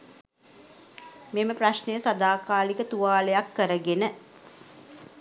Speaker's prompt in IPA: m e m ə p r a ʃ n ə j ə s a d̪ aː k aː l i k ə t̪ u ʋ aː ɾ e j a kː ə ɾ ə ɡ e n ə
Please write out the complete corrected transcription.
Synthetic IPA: m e m ə p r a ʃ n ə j ə s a d̪ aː k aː l i k ə t̪ u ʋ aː l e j a kː ə ɾ ə ɡ e n ə